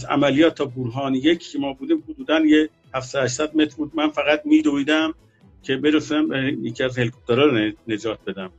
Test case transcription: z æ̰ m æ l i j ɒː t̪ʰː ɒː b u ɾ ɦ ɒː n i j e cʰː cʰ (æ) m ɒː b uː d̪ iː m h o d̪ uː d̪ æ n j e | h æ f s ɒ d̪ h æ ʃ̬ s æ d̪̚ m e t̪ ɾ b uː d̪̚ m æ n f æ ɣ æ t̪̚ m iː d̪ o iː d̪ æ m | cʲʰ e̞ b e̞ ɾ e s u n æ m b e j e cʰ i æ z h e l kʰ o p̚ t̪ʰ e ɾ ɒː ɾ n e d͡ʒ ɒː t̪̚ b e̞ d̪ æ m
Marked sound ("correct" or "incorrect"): incorrect